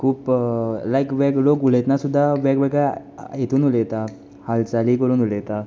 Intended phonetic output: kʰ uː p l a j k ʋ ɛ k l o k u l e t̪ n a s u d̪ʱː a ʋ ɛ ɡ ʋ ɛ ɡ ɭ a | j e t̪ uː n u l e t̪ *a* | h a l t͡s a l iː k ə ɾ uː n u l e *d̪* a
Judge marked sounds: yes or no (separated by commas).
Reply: yes, no